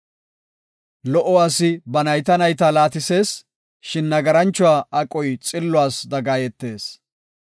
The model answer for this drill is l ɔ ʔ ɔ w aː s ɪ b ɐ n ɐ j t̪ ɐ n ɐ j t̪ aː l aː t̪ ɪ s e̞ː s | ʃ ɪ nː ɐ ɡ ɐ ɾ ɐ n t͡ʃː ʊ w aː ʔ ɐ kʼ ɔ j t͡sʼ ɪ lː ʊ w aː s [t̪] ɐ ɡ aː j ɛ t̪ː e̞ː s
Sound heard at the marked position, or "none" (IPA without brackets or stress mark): d̪